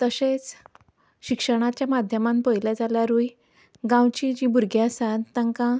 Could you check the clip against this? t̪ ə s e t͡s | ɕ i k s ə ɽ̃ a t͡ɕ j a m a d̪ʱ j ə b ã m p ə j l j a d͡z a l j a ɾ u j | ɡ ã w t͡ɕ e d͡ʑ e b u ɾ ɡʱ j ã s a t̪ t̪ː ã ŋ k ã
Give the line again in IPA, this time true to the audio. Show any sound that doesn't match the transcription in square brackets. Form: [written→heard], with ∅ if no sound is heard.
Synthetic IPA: t̪ ə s e t͡s | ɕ i k [s→ʂ] ə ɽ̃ a t͡ɕ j a m a d̪ʱ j ə [b→m] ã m p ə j l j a d͡z a l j a ɾ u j | ɡ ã w t͡ɕ [e→i] d͡ʑ [e→i] b u ɾ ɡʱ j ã s a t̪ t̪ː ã ŋ k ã